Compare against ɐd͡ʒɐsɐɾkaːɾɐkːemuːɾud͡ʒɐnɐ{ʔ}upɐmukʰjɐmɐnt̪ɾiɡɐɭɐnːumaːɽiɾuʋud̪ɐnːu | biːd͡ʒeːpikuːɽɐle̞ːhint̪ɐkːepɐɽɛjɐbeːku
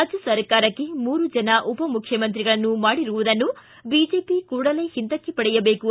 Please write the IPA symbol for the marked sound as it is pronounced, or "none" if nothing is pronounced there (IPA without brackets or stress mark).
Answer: ʔ